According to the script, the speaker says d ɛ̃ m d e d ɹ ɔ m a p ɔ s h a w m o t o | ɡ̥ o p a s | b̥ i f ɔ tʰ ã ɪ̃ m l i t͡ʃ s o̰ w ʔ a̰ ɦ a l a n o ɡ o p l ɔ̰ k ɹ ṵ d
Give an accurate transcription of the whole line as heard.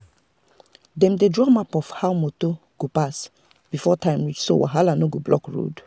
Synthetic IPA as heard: d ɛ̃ m d e d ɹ ɔ m a p ɔ f h a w m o t o | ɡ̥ o p a s | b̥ i f ɔ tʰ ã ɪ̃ m ɹ i t͡ʃ s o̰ w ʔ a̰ ɦ a l a n o ɡ o b l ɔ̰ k ɹ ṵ d